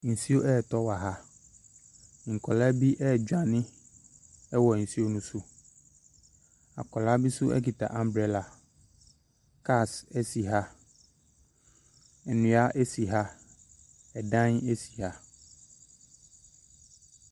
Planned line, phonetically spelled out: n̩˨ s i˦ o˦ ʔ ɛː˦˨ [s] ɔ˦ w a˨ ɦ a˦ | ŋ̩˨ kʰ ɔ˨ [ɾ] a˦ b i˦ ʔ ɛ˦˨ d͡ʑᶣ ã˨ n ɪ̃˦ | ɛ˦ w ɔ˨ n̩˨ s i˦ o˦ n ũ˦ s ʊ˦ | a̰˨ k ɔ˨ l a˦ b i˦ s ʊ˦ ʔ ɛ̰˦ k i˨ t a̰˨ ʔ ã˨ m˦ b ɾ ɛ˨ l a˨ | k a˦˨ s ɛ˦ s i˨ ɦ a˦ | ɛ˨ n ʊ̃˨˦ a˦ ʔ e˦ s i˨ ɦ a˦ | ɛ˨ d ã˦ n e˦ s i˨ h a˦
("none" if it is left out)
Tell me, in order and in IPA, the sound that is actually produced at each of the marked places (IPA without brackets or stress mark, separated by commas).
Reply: t, l